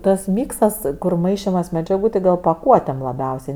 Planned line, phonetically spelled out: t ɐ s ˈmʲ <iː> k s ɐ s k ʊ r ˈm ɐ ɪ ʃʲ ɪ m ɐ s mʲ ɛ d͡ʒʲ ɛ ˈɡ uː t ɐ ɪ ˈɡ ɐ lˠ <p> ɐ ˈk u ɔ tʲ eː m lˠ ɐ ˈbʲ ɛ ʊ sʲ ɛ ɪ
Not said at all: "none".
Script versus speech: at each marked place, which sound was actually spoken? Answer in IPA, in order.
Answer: iː, p

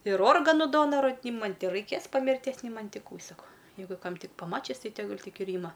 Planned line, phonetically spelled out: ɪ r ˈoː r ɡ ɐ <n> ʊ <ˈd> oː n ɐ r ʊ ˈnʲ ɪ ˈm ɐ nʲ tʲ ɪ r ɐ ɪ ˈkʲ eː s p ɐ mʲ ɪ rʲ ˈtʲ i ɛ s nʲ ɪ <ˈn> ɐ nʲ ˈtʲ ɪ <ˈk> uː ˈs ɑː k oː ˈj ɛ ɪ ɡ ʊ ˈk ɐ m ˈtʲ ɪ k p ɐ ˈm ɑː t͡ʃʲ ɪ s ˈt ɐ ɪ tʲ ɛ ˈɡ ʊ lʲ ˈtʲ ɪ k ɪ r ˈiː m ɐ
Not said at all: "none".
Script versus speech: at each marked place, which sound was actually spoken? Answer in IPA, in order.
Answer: n, d, m, k

